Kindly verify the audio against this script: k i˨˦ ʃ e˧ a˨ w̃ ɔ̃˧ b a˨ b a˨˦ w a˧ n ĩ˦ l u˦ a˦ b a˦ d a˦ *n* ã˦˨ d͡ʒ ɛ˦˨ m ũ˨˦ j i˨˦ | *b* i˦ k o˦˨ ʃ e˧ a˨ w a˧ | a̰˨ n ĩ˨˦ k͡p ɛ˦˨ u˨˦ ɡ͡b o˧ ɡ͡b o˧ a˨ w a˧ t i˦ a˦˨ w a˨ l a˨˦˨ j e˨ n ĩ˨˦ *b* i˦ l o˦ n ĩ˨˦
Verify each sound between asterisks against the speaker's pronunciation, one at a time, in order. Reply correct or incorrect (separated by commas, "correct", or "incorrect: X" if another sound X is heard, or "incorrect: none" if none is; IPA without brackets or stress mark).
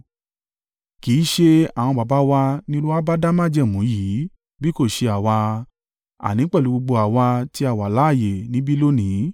incorrect: m, correct, correct